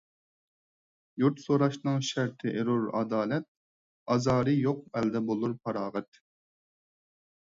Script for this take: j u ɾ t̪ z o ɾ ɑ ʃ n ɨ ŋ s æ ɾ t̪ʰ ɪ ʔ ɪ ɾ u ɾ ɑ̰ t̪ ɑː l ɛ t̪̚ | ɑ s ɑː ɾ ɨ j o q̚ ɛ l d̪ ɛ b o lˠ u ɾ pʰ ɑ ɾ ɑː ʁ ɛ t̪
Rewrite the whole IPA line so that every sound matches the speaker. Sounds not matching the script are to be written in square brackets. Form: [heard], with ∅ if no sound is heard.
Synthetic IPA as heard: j u ɾ t̪ [s] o ɾ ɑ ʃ n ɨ ŋ [ʃ] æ ɾ t̪ʰ ɪ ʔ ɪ ɾ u ɾ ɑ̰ [d̪] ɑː l ɛ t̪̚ | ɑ [z] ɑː ɾ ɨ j o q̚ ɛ l d̪ ɛ b o lˠ u ɾ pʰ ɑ ɾ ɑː ʁ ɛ t̪